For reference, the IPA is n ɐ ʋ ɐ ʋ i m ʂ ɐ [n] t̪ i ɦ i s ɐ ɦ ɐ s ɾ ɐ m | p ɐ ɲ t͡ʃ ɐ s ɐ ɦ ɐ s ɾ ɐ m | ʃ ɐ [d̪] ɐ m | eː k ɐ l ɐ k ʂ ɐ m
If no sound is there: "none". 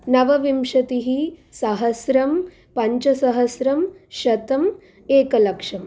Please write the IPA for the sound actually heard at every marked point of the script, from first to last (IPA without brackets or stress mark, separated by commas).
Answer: none, t̪